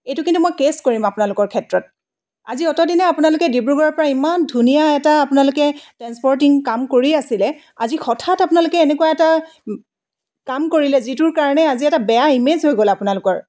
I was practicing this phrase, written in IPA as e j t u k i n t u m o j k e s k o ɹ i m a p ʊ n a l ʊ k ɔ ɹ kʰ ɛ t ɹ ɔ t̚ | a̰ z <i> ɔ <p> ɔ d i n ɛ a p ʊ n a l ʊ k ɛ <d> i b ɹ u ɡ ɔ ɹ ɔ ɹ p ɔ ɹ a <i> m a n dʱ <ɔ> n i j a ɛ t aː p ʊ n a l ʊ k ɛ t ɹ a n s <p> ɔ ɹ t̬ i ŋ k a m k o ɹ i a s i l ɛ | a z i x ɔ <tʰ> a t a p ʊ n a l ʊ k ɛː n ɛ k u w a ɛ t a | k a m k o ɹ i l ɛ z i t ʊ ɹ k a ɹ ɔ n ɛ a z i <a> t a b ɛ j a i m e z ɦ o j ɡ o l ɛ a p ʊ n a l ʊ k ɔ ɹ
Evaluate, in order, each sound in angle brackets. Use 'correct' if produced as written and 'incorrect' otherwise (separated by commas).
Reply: correct, incorrect, correct, correct, incorrect, correct, correct, incorrect